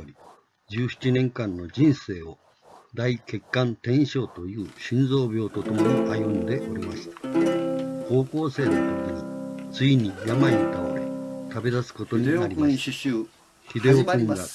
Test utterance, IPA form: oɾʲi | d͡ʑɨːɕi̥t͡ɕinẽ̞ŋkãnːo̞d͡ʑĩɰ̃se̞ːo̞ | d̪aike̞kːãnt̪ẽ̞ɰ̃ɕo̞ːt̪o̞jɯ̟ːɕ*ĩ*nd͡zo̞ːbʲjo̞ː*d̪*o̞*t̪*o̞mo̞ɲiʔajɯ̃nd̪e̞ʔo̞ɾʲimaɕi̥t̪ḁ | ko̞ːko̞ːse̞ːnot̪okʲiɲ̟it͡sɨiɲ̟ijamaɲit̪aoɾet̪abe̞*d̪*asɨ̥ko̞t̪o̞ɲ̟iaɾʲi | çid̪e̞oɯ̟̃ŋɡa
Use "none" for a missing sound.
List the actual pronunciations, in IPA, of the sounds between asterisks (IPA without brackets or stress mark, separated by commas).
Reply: ĩ, t̪, t̪, d̪